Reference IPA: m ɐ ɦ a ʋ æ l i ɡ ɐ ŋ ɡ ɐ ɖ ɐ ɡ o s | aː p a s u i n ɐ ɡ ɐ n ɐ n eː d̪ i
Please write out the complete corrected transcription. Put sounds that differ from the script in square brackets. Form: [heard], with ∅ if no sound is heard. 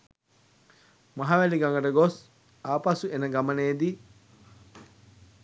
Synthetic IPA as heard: m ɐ ɦ a ʋ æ l i ɡ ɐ ŋ ɡ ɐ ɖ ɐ ɡ o s | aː p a s u [e] n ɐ ɡ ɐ [m] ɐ n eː d̪ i